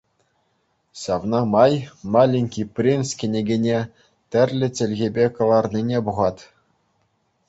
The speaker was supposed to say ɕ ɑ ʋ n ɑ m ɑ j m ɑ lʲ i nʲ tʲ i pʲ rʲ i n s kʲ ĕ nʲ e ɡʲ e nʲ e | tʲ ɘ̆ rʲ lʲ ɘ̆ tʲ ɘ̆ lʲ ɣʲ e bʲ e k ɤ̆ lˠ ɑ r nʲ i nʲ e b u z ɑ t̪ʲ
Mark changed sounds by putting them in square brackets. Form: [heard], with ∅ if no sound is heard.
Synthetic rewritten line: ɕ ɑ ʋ n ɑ m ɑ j m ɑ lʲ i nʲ [kʲ] i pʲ rʲ i n s kʲ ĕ nʲ e ɡʲ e nʲ e | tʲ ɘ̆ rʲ lʲ ɘ̆ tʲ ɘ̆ lʲ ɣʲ e bʲ e k ɤ̆ lˠ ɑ r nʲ i nʲ e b u [ʁ] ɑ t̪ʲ